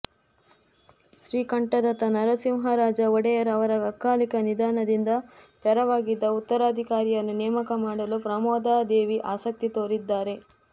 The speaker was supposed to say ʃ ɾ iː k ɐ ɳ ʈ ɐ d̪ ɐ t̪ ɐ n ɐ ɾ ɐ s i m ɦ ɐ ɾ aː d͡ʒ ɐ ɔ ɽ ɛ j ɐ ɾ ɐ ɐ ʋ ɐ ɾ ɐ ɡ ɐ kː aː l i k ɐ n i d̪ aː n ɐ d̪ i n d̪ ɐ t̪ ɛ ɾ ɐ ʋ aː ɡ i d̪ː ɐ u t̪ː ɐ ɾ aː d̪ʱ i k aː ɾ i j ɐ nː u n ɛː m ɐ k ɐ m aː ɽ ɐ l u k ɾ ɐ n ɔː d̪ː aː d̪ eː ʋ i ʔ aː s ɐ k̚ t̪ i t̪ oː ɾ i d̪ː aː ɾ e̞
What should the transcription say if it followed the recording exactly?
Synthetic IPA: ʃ ɾ iː k ɐ ɳ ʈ ɐ d̪ ɐ t̪ ɐ n ɐ ɾ ɐ s i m ɦ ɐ ɾ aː d͡ʒ ɐ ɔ ɽ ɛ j ɐ ɾ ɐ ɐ ʋ ɐ ɾ ɐ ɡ ɐ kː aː l i k ɐ n i d̪ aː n ɐ d̪ i n d̪ ɐ t̪ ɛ ɾ ɐ ʋ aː ɡ i d̪ː ɐ u t̪ː ɐ ɾ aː d̪ʱ i k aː ɾ i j ɐ nː u n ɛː m ɐ k ɐ m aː ɽ ɐ l u p ɾ ɐ m ɔː d̪ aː d̪ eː ʋ i ʔ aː s ɐ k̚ t̪ i t̪ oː ɾ i d̪ː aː ɾ e̞

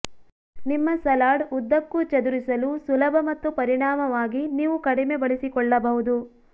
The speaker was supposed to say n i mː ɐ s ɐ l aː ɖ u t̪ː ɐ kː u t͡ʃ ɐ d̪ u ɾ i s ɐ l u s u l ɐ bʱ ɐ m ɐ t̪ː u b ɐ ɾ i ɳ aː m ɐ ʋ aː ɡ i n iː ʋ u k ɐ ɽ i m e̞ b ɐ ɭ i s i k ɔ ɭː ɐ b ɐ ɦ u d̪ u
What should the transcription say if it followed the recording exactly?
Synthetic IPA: n i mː ɐ s ɐ l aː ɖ u d̪ː ɐ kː u t͡ʃ ɐ d̪ u ɾ i s ɐ l u s u l ɐ bʱ ɐ m ɐ t̪ː u p ɐ ɾ i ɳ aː m ɐ ʋ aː ɡ i n iː ʋ u k ɐ ɽ i m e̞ b ɐ ɭ i s i k ɔ ɭː ɐ b ɐ ɦ u d̪ u

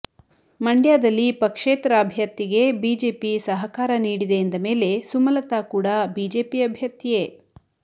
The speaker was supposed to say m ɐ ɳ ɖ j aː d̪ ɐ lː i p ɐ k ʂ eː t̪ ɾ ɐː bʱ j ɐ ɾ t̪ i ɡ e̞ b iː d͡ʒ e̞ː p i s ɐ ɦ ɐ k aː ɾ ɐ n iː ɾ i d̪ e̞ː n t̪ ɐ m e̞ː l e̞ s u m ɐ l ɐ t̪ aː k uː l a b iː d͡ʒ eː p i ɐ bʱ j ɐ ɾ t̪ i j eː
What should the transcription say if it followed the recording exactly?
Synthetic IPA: m ɐ ɳ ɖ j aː d̪ ɐ lː i p ɐ k ʂ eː t̪ ɾ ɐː bʱ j ɐ ɾ t̪ i ɡ e̞ b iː d͡ʒ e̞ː p i s ɐ ɦ ɐ k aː ɾ ɐ n iː ɽ i d̪ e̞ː n d̪ ɐ m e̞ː l e̞ s u m ɐ l ɐ t̪ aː k uː ɽ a b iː d͡ʒ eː p i ɐ bʱ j ɐ ɾ t̪ i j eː

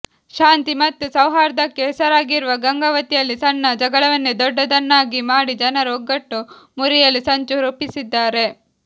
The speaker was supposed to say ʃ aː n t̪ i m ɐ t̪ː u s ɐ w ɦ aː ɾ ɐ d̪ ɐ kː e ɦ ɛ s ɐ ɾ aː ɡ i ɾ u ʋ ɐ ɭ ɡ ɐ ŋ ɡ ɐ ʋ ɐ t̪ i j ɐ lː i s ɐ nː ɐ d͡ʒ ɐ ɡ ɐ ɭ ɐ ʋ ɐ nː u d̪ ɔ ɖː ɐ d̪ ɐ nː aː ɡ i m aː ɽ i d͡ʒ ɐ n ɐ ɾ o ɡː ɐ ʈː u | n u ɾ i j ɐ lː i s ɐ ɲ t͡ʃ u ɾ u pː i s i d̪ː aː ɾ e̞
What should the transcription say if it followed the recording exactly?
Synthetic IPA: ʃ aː n t̪ i m ɐ t̪ː u s ɐ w ɦ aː ɾ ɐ d̪ ɐ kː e ɦ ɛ s ɐ ɾ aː ɡ i ɾ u ʋ ɐ ɡ ɐ ŋ ɡ ɐ ʋ ɐ t̪ i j ɐ lː i s ɐ nː ɐ d͡ʒ ɐ ɡ ɐ ɭ ɐ ʋ ɐ nː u d̪ ɔ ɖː ɐ d̪ ɐ nː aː ɡ i m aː ɽ i d͡ʒ ɐ n ɐ ɾ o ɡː ɐ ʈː u | m u ɾ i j ɐ lː i s ɐ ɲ t͡ʃ u ɾ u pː i s i d̪ː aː ɾ e̞

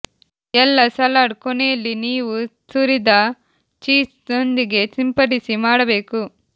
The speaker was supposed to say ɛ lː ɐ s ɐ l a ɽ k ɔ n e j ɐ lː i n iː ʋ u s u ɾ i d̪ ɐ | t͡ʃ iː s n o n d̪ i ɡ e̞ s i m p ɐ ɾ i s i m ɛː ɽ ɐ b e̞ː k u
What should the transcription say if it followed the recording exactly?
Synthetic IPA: ɛ lː ɐ s ɐ l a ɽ k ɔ n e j ɐ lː i n iː ʋ u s u ɾ i d̪ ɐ | t͡ʃ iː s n o n d̪ i ɡ e̞ s i m p ɐ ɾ i s i m aː ɽ ɐ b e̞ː k u

